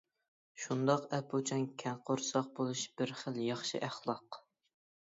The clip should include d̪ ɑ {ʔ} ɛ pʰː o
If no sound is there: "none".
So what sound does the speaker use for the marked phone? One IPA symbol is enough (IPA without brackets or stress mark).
q